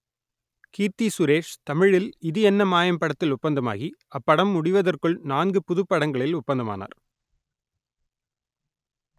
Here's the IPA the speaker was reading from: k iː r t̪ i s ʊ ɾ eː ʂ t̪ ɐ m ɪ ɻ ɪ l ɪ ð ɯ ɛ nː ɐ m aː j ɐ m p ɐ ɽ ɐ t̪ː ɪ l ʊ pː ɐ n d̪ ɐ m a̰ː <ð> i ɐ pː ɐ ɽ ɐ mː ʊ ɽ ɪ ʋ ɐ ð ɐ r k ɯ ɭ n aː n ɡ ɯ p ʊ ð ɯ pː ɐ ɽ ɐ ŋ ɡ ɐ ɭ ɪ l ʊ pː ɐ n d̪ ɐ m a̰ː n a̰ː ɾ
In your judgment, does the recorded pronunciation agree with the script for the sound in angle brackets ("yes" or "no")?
no